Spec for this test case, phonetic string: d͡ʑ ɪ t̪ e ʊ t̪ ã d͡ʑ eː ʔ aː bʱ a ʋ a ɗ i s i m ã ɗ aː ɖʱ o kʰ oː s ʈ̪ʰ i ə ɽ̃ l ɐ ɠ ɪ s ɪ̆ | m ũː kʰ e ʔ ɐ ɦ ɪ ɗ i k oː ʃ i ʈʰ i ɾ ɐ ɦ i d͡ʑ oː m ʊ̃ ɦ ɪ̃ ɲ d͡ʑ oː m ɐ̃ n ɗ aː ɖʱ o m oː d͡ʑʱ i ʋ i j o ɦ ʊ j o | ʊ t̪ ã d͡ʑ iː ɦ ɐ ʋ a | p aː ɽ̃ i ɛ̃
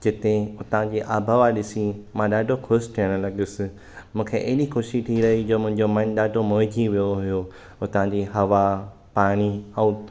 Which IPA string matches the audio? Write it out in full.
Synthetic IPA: d͡ʑ ɪ t̪ e ʊ t̪ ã d͡ʑ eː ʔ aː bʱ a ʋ a ɗ ɪ s i m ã ɗ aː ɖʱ o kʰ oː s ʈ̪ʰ i ə ɽ̃ l ɐ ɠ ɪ s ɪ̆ | m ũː kʰ e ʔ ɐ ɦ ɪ ɗ i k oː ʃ i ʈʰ i ɾ ɐ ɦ i d͡ʑ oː m ʊ̃ ɦ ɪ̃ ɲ d͡ʑ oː m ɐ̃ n ɗ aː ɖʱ o m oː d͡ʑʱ i ʋ i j o ɦ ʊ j o | ʊ t̪ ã d͡ʑ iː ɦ ɐ ʋ a | p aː ɽ̃ i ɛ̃